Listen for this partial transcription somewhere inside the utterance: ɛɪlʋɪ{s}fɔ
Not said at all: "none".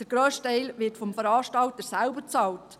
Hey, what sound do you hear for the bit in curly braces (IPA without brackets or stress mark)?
t